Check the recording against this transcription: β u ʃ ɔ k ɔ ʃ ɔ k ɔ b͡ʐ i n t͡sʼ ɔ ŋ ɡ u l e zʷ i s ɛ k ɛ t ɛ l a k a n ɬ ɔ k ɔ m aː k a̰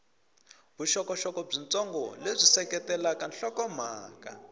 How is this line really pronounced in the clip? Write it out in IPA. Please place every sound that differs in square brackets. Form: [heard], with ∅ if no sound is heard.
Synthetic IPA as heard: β u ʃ ɔ k ɔ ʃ ɔ k ɔ b͡ʐ i n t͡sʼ ɔ ŋ ɡ [ɔ] l e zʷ i s ɛ k ɛ t ɛ l a k a n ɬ ɔ k ɔ m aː k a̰